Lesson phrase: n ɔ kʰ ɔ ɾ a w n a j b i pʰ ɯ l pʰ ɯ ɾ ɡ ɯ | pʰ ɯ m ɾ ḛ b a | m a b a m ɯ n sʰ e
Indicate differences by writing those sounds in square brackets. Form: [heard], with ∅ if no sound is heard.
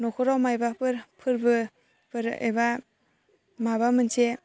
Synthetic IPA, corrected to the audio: n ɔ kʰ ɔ ɾ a w [m] a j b [a] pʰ ɯ [ɾ] pʰ ɯ ɾ [b] ɯ | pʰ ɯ [∅] ɾ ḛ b a | m a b a m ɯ n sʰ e

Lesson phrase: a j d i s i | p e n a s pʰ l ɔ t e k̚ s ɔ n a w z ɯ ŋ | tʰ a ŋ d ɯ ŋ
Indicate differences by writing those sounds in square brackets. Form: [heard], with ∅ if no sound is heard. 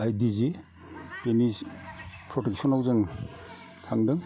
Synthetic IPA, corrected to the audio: a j d i [z] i | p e n [i] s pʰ [ɾ] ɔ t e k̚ s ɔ n a w z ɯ ŋ | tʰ a ŋ d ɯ ŋ

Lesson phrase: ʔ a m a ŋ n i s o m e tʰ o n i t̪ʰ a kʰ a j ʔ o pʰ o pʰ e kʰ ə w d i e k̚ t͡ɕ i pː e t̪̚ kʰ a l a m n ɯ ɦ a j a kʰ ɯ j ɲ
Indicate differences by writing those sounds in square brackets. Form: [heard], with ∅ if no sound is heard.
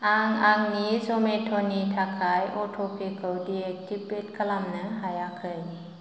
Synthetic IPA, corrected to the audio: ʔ a [ŋ] a ŋ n i s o m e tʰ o n i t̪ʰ a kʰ a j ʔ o [tʰ] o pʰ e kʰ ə w d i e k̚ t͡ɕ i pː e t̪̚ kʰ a l a m n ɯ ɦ a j a kʰ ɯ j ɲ

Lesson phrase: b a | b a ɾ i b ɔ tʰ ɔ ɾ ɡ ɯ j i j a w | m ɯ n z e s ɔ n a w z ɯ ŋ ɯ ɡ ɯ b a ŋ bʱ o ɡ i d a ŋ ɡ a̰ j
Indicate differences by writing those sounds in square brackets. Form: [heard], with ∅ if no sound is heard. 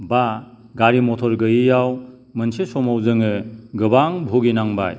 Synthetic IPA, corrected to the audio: b a | [ɡ] a ɾ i [m] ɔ tʰ ɔ ɾ ɡ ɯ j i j a w | m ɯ n [s] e s ɔ [m] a w z ɯ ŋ ɯ ɡ ɯ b a ŋ bʱ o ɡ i [n] a ŋ [b] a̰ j

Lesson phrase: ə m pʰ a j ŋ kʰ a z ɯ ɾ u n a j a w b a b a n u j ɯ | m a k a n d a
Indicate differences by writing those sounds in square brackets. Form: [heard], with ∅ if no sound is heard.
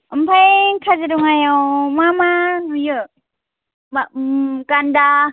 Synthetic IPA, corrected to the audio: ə m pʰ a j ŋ kʰ a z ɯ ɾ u [ŋ] a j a w [m] a [m] a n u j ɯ | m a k a n d a

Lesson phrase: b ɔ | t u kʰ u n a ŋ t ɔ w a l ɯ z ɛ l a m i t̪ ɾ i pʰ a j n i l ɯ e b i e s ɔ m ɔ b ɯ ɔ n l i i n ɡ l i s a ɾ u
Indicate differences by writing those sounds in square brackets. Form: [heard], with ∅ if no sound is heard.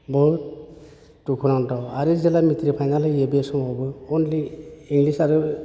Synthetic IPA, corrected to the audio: b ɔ | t u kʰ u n a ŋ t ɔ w a [ɾ] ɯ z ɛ l a m i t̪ ɾ i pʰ a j n [a] l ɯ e b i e s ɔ m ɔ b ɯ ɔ n l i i [ŋ] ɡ l i s a ɾ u

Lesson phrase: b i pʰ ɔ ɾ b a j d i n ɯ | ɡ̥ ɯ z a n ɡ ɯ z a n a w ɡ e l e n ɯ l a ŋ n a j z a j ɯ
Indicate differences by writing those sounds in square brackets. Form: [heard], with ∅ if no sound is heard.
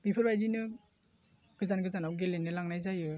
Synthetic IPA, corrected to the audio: b i pʰ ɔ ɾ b a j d i n ɯ | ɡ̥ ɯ z a n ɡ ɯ z a n a w ɡ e l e n ɯ l a ŋ n a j z a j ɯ

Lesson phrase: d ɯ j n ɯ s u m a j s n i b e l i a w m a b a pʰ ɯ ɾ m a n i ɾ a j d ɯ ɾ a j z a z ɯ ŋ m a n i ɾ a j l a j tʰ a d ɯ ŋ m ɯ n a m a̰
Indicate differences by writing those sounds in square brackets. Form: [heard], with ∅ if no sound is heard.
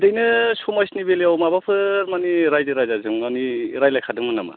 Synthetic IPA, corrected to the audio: d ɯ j n ɯ s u m a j s n i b e l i a w m a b a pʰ ɯ ɾ m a n i ɾ a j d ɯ ɾ a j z a z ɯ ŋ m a n i ɾ a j l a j [kʰ] a d ɯ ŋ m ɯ n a m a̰

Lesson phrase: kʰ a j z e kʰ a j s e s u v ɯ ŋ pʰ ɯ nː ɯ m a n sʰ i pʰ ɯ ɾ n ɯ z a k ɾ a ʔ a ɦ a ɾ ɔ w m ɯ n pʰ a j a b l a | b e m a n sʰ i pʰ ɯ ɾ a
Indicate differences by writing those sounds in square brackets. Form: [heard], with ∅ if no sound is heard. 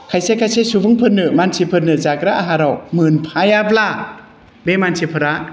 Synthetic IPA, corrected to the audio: kʰ a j [s] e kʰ a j s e s u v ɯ ŋ pʰ ɯ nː ɯ m a n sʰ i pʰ ɯ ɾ n ɯ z a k ɾ a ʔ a ɦ a ɾ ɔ w m ɯ n pʰ a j a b l a | b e m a n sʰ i pʰ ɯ ɾ a

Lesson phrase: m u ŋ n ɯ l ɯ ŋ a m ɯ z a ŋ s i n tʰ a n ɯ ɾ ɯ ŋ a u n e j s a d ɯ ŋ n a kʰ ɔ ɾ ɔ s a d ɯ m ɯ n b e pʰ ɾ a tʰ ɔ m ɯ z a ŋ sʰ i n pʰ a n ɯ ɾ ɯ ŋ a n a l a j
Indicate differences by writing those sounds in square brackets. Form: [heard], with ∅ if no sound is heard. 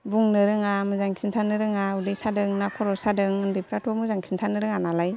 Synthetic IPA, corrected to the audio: [b] u ŋ n ɯ [ɾ] ɯ ŋ a m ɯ z a ŋ s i n tʰ a n ɯ ɾ ɯ ŋ a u [d] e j s a d ɯ ŋ n a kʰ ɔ ɾ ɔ s a d ɯ [ŋ] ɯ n [d] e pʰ ɾ a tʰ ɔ m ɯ z a ŋ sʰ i n [tʰ] a n ɯ ɾ ɯ ŋ a n a l a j

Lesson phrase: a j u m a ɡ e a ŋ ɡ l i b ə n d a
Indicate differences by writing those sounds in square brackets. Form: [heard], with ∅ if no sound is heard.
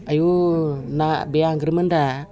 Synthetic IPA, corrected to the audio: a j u [n] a [b] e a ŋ ɡ [ɾ] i [m] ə n d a

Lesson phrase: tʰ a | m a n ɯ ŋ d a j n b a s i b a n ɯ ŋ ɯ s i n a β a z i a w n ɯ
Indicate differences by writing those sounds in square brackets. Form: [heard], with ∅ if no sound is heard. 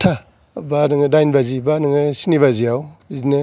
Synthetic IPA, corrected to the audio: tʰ a | [b] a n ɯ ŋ d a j n b a [z] i b a n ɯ ŋ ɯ s i n [i] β a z i a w n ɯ

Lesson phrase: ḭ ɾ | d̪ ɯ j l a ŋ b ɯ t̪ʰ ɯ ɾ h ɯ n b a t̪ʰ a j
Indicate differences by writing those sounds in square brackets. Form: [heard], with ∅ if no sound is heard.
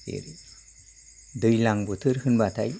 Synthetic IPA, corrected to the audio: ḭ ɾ | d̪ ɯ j l a ŋ b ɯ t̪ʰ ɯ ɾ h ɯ n b a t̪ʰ a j

